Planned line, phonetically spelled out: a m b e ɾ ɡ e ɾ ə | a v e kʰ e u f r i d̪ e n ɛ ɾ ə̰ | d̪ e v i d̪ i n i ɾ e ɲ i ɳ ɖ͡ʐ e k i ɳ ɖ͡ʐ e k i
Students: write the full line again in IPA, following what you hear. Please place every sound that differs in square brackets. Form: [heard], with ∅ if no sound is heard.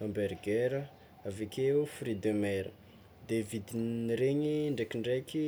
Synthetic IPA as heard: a m b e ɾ ɡ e ɾ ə | a v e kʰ e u f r i d̪ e [m] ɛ ɾ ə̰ | d̪ e v i d̪ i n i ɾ e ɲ i ɳ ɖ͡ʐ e k i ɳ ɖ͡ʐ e k i